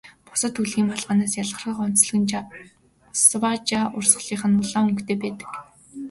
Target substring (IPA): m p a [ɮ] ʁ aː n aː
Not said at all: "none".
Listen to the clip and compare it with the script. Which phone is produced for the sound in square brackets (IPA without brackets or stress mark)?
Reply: ɮ